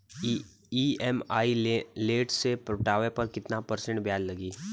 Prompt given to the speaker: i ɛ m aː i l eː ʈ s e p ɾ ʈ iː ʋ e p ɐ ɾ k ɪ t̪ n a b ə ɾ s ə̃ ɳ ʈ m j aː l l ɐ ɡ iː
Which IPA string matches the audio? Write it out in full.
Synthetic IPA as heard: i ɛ m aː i l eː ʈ s e p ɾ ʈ aː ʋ e p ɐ ɾ k ɪ t̪ n a p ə ɾ s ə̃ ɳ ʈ b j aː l l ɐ ɡ iː